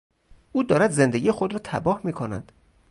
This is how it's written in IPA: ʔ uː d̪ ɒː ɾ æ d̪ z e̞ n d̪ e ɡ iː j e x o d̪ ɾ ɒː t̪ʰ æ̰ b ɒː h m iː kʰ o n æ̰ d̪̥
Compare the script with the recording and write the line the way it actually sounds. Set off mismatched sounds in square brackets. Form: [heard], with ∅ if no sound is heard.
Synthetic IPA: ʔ uː d̪ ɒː ɾ æ d̪ z e̞ n d̪ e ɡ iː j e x o d̪ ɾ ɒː t̪ʰ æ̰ b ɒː h m iː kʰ o n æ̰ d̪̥